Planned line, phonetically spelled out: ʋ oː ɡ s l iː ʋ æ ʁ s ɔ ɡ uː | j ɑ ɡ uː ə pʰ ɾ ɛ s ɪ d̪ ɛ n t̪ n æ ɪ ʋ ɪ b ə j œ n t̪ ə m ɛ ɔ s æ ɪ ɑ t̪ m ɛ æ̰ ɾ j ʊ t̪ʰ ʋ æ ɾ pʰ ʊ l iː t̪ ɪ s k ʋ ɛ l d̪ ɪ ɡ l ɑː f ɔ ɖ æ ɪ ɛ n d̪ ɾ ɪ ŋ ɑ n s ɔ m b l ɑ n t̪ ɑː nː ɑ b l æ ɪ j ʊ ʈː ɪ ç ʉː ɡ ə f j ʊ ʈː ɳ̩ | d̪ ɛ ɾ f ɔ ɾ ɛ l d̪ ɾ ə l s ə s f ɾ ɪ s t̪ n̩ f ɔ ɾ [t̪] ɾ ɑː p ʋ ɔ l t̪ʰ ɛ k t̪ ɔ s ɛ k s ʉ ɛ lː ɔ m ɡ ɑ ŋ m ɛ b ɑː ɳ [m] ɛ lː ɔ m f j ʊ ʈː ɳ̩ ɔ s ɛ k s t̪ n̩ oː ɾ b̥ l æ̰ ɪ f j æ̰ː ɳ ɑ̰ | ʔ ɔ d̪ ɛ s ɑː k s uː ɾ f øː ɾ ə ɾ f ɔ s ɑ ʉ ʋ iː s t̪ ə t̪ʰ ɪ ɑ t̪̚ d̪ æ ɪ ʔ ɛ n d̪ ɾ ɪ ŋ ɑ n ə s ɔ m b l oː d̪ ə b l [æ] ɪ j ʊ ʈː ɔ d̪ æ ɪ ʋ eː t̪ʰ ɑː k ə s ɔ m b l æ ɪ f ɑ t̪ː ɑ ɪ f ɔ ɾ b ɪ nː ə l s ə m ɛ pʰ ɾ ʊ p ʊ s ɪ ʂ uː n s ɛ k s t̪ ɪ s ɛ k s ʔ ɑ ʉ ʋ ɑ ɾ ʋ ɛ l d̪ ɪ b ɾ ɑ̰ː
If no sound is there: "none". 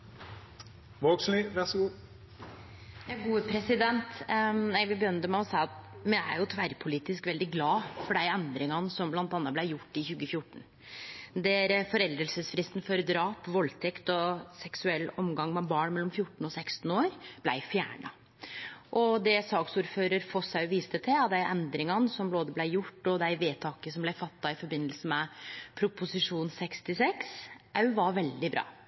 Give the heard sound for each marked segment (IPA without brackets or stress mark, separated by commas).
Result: d̪, m, æ